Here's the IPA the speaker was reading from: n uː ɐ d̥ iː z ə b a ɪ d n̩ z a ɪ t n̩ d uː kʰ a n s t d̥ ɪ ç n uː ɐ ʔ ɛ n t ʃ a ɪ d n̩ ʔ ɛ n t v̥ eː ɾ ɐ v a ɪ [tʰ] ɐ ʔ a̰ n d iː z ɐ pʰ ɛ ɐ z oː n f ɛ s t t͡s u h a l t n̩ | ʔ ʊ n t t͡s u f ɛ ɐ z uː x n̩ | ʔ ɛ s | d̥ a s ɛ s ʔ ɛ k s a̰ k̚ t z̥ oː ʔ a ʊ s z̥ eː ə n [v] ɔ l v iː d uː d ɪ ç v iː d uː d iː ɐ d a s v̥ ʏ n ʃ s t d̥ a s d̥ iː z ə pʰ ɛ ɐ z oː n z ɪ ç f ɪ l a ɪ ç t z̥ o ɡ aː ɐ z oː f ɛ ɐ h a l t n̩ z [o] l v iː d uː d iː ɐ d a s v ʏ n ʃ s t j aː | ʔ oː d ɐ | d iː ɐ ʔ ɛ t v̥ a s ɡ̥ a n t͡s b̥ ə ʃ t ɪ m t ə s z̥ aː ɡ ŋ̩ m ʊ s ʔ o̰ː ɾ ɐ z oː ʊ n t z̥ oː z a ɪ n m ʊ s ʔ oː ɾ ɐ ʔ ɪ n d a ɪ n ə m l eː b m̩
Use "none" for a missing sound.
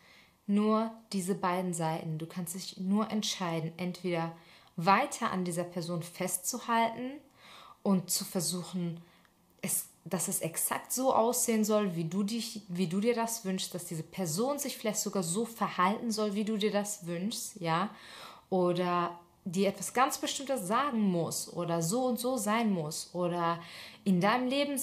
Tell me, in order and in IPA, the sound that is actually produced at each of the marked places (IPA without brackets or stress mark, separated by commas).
tʰ, z, ɔ